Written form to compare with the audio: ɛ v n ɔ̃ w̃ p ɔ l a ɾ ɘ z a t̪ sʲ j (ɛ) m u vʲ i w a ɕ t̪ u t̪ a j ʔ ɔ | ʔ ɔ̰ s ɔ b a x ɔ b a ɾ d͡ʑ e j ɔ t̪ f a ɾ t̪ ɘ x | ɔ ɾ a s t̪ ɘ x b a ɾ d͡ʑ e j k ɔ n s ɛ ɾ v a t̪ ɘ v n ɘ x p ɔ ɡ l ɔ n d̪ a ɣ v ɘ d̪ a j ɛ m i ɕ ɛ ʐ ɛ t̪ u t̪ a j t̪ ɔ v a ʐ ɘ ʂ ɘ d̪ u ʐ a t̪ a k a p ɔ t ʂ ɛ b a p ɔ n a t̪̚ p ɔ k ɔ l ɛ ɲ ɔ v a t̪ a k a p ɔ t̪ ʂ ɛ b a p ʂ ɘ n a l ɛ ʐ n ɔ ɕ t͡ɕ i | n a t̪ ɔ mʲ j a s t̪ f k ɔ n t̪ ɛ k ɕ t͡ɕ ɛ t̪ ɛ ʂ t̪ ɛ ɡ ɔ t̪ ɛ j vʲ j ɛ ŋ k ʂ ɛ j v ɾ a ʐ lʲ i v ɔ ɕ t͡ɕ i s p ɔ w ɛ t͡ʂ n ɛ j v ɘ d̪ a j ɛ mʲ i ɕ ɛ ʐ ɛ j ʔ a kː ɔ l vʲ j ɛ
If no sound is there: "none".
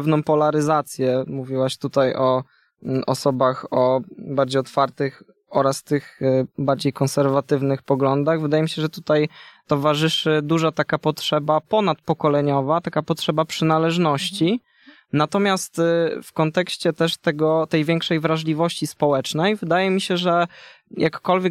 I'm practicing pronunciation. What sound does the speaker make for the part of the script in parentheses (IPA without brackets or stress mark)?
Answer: ɛ